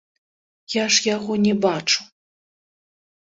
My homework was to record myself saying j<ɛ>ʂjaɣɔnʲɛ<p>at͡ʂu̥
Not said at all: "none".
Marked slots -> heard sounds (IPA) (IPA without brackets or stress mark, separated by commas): a, b